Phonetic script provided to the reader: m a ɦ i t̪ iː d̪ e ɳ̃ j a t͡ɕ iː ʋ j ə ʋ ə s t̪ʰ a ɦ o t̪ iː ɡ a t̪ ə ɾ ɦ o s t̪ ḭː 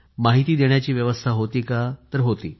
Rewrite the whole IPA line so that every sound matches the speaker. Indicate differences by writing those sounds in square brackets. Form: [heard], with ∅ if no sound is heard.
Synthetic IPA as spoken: m a ɦ i t̪ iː d̪ e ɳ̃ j a t͡ɕ iː ʋ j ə ʋ ə s t̪ʰ a ɦ o t̪ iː [k] a t̪ ə ɾ ɦ o [∅] t̪ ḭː